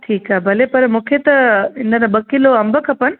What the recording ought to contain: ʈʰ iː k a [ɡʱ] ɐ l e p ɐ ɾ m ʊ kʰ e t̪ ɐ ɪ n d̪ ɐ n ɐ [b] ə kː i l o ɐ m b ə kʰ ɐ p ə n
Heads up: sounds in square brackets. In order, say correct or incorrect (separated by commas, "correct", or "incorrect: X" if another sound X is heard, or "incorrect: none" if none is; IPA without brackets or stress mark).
incorrect: bʱ, correct